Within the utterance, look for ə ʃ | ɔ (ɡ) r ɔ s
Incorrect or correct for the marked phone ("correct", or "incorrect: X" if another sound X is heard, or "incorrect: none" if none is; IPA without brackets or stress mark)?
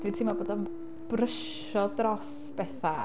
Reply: incorrect: d